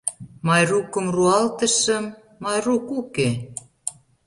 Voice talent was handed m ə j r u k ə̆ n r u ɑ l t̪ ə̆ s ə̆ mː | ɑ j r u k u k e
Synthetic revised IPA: m ɑ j r u k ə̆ m r u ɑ l t̪ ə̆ ʃ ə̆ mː | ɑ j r u k u k e